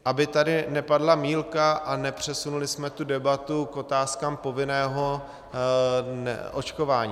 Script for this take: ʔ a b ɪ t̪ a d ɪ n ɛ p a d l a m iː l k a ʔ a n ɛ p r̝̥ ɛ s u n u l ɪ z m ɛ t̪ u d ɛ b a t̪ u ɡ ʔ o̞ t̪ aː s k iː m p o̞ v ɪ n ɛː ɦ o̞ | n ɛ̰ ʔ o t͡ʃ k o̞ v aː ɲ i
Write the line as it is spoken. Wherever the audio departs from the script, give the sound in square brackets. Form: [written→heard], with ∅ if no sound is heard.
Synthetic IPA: ʔ a b ɪ t̪ a d ɪ n ɛ p a d l a m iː l k a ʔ a n ɛ p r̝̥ ɛ s u n u l ɪ [z→s] m ɛ t̪ u d ɛ b a t̪ u [ɡ→k] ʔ o̞ t̪ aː s k [iː→aː] m p o̞ v ɪ n ɛː ɦ o̞ | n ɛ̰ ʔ o t͡ʃ k o̞ v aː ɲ i